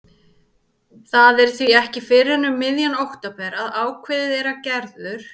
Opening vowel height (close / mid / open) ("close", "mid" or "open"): open